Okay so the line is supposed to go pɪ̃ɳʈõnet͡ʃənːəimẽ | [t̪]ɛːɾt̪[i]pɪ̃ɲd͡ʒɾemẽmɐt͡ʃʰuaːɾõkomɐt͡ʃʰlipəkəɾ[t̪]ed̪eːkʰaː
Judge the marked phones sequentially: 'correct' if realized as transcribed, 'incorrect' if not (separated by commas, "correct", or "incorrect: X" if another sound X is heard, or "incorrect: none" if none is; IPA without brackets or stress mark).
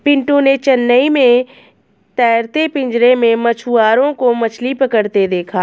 correct, incorrect: e, correct